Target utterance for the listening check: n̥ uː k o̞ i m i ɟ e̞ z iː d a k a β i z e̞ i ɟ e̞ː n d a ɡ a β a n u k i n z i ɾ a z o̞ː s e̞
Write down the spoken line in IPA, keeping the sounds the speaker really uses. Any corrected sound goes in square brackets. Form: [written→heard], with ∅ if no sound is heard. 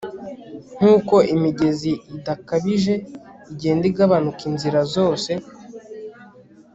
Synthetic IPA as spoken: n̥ uː k o̞ i m i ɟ e̞ z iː d a k a β i [z→ʒ] e̞ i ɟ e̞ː n d [a→i] ɡ a β a n u k i n z i ɾ a z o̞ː s e̞